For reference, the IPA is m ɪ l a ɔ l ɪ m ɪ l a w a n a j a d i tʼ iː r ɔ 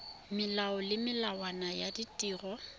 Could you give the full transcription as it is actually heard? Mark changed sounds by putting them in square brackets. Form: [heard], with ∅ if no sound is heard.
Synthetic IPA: m ɪ l a ɔ l ɪ m ɪ l a w a n a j a d i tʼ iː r ɔ